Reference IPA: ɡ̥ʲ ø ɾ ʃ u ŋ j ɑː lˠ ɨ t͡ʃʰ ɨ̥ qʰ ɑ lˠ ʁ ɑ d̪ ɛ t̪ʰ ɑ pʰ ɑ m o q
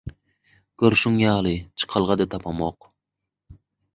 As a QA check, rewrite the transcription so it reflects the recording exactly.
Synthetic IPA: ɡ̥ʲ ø ɾ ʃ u ŋ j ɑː lˠ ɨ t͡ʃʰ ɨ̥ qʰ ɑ lˠ ʁ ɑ d̪ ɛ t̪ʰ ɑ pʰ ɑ m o q